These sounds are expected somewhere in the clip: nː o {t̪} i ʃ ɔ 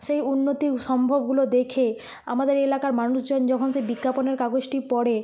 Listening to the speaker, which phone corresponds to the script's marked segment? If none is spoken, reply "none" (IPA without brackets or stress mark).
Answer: t̪